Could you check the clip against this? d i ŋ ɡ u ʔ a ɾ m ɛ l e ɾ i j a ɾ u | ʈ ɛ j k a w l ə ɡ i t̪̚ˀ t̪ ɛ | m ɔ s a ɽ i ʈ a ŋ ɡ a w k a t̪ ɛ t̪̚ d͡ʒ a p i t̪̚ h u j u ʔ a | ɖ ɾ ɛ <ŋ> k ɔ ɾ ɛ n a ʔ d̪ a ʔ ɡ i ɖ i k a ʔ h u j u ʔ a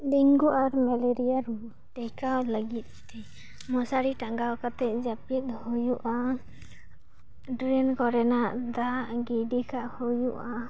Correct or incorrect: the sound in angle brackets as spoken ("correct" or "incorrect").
incorrect